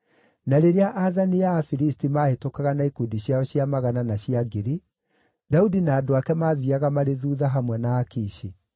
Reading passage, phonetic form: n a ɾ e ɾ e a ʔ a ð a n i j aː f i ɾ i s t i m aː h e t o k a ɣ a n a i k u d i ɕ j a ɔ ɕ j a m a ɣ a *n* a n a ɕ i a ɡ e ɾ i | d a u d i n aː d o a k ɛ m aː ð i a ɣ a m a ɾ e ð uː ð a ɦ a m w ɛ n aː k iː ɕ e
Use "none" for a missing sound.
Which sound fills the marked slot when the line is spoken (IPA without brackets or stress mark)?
n